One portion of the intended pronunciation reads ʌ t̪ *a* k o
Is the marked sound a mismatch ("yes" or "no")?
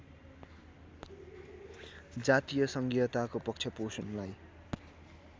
no